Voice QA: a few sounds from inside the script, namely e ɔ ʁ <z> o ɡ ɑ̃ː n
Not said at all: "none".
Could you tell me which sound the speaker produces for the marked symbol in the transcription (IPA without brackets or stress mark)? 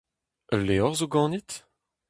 z